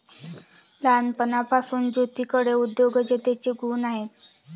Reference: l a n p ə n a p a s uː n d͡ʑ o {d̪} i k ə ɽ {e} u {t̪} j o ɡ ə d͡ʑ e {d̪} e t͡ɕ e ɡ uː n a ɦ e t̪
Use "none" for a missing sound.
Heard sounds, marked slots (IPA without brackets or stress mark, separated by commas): t̪, e, d̪, t̪